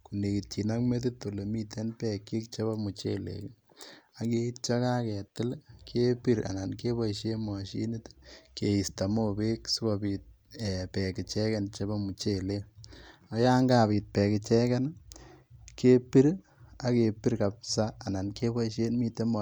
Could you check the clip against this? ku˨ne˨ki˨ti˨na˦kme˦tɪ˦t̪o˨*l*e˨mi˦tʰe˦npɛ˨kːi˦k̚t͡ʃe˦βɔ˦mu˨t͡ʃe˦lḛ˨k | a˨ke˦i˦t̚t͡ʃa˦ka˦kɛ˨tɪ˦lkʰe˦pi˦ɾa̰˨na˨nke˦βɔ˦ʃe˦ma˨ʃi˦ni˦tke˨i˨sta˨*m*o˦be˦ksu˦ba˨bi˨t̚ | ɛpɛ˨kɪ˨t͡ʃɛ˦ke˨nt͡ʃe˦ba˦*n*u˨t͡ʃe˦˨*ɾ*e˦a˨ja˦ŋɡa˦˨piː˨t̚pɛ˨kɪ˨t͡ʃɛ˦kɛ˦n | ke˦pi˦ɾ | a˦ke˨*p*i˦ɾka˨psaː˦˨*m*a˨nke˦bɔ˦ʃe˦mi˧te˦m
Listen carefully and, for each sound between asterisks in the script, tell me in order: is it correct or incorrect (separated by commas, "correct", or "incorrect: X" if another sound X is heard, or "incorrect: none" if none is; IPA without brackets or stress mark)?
correct, correct, incorrect: m, incorrect: l, correct, incorrect: n